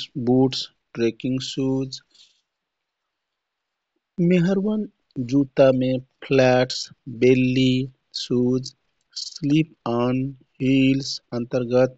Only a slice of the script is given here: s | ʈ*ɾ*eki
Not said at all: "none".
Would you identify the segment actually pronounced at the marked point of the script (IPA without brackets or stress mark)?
ɾ